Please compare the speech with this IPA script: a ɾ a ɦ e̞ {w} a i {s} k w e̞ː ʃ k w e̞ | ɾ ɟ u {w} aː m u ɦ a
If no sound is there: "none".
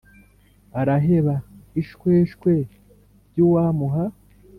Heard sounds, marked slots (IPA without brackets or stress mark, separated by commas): β, ʃ, w